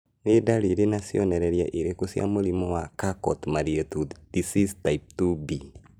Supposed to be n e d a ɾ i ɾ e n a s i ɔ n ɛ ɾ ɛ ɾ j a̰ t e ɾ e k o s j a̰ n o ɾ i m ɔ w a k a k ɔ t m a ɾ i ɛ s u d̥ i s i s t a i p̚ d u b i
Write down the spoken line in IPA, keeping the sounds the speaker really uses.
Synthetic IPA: n e d a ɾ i ɾ e n a s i ɔ n ɛ ɾ ɛ ɾ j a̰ ʔ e ɾ e k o s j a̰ m o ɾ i m ɔ w a k a k ɔ t m a ɾ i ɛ t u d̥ i s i s t a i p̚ t u b i

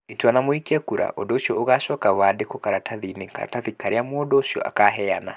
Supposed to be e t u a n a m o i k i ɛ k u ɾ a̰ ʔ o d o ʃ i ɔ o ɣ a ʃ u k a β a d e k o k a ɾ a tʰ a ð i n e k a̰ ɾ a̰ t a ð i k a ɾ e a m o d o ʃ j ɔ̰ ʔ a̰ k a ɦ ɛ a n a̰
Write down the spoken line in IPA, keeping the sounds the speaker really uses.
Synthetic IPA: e t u a n a m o i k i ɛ k u ɾ a̰ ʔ o d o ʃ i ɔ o ɣ a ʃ ɔ k a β a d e k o k a ɾ a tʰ a ð i n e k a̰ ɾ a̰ t a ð i k a ɾ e a m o d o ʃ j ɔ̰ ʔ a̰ k a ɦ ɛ a n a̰

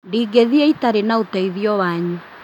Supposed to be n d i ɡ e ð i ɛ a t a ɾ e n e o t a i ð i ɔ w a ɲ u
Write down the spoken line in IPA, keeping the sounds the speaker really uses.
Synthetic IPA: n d i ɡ e ð i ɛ i t a ɾ e n a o t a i ð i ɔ w a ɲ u

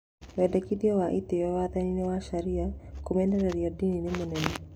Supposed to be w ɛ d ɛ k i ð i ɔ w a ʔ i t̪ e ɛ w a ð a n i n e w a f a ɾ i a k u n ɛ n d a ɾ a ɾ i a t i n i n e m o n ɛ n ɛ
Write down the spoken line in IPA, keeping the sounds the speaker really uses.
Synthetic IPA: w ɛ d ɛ k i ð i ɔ w a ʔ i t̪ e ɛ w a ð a n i n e w a ʃ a ɾ i a k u m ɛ n d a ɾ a ɾ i a d i n i n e m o n ɛ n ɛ

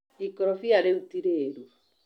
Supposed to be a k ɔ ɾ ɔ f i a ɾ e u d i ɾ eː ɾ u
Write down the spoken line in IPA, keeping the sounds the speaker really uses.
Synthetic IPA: i k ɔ ɾ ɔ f i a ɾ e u t i ɾ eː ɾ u

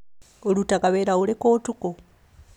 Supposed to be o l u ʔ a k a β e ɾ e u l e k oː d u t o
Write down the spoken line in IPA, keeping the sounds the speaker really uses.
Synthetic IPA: o l u t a k a β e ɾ a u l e k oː t u k o

